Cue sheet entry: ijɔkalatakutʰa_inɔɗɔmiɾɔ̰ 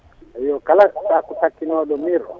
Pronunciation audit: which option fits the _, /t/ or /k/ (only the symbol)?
k